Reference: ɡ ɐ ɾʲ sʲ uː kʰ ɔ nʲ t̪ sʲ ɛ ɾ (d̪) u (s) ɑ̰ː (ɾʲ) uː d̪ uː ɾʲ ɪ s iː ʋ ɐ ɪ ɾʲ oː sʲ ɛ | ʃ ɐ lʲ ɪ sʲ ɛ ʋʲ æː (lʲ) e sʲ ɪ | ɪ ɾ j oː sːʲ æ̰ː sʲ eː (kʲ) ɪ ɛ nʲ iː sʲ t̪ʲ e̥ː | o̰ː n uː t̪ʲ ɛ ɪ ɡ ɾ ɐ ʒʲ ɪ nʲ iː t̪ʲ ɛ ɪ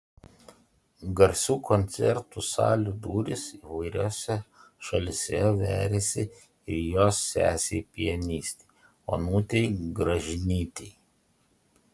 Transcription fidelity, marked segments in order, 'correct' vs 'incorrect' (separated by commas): incorrect, correct, incorrect, incorrect, incorrect